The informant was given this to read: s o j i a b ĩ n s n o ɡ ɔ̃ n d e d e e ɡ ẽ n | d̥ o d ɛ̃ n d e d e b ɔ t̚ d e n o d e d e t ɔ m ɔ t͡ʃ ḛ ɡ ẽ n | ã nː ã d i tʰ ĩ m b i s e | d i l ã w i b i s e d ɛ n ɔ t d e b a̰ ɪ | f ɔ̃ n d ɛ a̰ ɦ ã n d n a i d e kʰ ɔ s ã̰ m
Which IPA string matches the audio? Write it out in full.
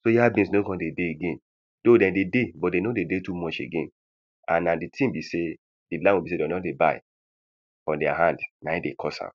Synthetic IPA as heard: s o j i a b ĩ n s n o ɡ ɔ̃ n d e d e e ɡ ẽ n | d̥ o d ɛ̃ n d e d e b ɔ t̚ d e n o d e d e t u m ɔ t͡ʃ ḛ ɡ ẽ n | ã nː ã d i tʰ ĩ m b i s e | d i l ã w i b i s e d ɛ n ɔ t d e b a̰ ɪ | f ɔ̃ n d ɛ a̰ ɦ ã n d n a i d e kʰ ɔ s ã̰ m

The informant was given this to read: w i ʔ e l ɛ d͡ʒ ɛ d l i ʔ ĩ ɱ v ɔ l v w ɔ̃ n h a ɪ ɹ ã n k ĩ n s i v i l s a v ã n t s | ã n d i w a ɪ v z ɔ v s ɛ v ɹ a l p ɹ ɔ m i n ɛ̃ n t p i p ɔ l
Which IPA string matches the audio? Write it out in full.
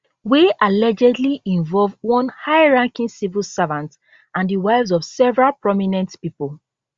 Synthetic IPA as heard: w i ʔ a l ɛ d͡ʒ ɛ d l i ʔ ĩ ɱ v ɔ l v w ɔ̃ n h a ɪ ɹ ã ŋ k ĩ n s i v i l s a v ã n t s | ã n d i w a ɪ v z ɔ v s ɛ v ɹ a l p ɹ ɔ m i n ɛ̃ n t p i p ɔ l

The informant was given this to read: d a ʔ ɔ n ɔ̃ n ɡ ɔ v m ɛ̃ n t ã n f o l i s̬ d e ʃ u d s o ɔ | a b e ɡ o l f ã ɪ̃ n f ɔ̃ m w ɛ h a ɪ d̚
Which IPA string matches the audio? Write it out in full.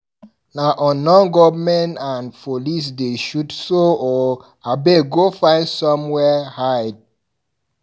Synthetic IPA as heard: n a ʔ ɔ n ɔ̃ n ɡ ɔ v m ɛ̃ n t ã n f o l i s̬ d e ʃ u d s o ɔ | a b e ɡ o f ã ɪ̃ n s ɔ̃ m w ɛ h a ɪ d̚

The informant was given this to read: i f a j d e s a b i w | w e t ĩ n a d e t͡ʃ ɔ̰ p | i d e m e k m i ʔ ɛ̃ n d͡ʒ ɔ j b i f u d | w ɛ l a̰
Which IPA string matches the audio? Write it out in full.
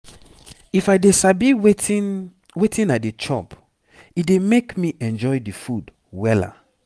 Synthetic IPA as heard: i f a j d e s a b i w | w e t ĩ n a d e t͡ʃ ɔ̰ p | i d e m e k m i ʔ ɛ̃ n d͡ʒ ɔ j d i f u d | w ɛ l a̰

